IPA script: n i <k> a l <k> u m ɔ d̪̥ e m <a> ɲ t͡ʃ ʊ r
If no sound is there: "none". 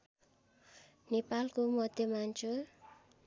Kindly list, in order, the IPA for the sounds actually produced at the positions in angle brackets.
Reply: p, k, a

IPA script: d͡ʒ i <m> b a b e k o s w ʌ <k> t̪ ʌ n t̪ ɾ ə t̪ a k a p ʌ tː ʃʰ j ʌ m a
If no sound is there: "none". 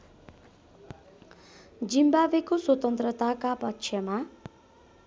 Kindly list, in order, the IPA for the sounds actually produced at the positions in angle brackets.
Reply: m, none

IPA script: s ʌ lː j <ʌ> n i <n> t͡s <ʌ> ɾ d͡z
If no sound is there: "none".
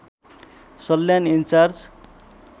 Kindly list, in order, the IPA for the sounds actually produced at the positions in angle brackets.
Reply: a, n, a

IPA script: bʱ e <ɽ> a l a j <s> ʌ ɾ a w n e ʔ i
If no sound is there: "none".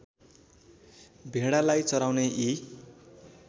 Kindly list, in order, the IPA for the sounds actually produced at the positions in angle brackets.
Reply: ɽ, t͡s

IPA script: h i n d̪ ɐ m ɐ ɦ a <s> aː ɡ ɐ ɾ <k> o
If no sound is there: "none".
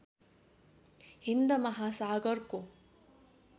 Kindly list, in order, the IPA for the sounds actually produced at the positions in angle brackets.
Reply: s, k

